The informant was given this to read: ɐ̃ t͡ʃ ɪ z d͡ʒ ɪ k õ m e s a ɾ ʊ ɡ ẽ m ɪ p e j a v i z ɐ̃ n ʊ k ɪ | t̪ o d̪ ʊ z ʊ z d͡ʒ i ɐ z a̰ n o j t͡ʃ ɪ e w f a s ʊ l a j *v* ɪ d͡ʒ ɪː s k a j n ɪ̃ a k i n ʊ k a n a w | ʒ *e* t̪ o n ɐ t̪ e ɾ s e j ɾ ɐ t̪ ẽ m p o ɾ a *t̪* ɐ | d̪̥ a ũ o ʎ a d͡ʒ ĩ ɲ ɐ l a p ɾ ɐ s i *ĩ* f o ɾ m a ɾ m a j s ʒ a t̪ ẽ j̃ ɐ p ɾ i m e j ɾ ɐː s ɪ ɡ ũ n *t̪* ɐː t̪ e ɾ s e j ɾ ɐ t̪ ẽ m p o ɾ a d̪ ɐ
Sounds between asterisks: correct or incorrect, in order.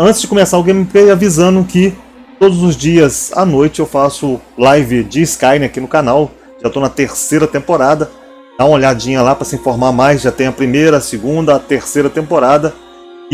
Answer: correct, incorrect, incorrect, correct, incorrect

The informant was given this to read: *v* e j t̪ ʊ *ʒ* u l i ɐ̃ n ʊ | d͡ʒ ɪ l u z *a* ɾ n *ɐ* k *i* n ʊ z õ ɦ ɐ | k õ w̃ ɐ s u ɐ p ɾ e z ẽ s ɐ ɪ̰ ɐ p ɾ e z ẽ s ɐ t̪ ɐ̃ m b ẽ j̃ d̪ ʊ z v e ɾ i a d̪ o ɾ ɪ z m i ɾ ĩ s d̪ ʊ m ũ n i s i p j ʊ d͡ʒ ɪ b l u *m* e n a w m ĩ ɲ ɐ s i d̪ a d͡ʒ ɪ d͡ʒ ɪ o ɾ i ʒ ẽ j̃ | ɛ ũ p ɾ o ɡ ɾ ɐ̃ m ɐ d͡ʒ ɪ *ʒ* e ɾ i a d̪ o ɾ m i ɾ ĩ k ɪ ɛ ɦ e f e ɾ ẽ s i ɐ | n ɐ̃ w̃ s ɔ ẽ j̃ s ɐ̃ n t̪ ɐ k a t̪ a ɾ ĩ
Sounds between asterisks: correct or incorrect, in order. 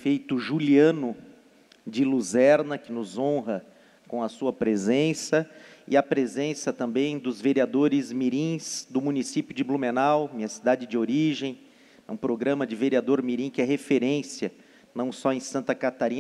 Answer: incorrect, correct, incorrect, correct, incorrect, correct, incorrect

